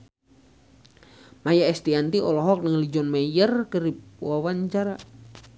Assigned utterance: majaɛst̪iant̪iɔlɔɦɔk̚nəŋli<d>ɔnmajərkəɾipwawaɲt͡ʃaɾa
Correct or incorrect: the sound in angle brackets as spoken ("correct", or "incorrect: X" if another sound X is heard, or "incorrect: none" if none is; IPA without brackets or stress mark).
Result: incorrect: d͡ʒ